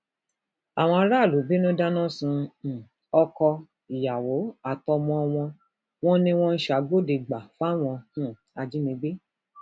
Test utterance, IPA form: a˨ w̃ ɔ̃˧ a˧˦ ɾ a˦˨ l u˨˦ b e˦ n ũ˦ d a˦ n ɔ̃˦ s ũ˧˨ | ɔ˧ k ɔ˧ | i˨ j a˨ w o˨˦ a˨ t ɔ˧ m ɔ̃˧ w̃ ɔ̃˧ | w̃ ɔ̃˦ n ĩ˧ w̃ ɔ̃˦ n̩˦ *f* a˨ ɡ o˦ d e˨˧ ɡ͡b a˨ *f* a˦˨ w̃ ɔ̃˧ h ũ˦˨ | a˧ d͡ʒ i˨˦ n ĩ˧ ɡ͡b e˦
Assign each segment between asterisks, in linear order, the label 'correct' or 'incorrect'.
incorrect, correct

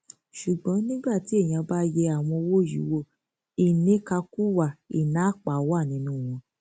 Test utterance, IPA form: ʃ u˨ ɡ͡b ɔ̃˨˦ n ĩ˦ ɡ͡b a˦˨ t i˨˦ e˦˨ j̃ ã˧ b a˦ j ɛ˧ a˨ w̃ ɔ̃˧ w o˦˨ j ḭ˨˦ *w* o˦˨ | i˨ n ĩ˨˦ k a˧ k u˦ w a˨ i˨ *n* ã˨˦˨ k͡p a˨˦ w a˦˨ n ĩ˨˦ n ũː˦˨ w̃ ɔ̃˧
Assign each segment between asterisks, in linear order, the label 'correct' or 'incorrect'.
correct, correct

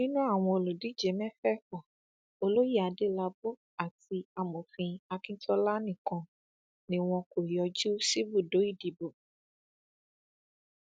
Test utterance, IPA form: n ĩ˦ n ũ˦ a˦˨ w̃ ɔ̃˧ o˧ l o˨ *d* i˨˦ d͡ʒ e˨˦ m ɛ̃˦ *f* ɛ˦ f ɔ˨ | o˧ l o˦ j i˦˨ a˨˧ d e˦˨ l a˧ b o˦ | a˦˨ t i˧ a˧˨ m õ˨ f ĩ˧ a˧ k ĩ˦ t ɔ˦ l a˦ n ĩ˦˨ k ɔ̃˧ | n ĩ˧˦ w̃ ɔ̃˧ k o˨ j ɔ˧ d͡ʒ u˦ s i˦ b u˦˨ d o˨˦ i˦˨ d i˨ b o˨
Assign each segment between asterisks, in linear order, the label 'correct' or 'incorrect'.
correct, correct

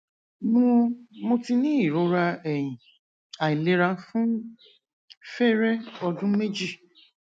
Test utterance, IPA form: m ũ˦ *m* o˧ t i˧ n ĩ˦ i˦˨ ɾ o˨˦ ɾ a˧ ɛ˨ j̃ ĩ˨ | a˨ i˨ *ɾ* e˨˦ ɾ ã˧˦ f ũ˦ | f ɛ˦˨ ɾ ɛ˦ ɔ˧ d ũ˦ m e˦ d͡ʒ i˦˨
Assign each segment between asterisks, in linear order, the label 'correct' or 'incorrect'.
correct, incorrect

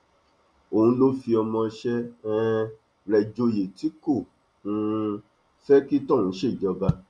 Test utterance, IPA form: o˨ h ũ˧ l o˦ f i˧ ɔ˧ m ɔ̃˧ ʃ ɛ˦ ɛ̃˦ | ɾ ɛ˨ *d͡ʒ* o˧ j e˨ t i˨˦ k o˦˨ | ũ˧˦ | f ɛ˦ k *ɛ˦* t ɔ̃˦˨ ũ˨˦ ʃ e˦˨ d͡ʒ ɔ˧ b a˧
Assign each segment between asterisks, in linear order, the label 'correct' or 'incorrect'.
correct, incorrect

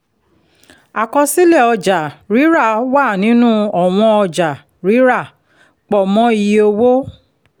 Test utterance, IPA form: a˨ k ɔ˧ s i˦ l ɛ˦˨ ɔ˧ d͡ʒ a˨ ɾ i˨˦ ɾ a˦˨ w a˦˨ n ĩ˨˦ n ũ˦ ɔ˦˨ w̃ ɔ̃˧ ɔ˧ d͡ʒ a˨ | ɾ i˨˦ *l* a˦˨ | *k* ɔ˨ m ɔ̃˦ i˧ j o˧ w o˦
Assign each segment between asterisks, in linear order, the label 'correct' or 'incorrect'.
incorrect, incorrect

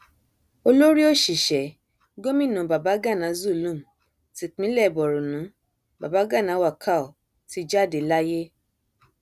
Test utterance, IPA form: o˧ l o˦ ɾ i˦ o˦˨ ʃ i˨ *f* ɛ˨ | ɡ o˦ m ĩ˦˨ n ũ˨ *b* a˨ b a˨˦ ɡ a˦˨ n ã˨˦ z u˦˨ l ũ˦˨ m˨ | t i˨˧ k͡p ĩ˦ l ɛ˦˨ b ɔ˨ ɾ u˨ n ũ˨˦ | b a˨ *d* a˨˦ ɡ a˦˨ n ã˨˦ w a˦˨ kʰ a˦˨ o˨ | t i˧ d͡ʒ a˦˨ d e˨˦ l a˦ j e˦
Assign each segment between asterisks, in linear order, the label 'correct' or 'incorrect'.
incorrect, correct, incorrect

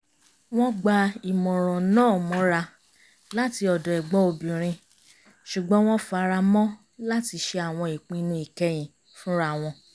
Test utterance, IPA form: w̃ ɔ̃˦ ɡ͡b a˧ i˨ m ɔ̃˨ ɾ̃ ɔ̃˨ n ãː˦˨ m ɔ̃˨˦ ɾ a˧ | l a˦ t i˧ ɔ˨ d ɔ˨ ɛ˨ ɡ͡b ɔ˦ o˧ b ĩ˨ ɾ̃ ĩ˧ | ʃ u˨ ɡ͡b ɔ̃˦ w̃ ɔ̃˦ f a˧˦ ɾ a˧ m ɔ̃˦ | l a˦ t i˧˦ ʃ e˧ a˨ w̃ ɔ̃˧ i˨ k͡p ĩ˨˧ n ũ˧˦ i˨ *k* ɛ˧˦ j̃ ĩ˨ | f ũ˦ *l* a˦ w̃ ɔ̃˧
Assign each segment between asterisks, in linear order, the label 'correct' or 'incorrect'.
correct, incorrect

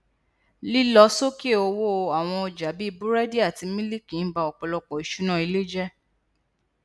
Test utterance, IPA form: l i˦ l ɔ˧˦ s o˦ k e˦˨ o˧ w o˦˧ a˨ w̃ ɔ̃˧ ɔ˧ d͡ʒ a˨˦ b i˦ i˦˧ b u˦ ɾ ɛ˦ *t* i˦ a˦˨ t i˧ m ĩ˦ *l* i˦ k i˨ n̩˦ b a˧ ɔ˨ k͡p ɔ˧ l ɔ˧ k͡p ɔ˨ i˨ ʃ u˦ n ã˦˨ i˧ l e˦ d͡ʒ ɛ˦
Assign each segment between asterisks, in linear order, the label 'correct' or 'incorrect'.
incorrect, correct

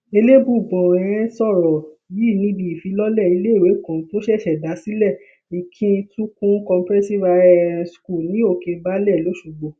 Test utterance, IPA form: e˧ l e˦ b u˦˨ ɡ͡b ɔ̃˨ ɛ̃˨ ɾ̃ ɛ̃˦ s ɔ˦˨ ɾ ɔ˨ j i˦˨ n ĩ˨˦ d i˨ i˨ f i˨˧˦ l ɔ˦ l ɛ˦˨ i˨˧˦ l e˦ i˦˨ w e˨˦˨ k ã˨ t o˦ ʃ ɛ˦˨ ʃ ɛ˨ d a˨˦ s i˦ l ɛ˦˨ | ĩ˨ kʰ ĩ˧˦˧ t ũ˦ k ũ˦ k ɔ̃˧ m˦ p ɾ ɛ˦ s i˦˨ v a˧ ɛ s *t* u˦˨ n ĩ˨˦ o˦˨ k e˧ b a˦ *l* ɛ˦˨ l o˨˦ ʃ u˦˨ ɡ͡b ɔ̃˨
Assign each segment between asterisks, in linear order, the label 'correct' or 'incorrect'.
incorrect, correct

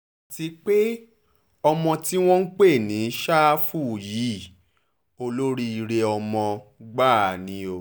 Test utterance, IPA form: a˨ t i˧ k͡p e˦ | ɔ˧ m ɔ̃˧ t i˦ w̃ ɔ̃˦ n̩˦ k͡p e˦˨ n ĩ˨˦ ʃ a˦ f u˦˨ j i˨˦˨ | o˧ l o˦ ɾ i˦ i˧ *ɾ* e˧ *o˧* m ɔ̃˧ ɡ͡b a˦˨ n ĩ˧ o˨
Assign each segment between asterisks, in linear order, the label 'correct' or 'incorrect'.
correct, incorrect

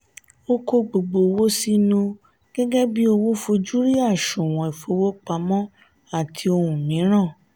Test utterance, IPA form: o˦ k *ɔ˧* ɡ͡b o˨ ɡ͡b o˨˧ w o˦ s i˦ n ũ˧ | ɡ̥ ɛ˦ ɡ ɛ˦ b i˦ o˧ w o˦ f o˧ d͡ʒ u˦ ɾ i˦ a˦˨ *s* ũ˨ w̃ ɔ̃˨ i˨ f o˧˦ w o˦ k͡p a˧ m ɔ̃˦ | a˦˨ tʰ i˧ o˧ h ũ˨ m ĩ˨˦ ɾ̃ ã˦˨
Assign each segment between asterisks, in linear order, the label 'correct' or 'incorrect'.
incorrect, incorrect

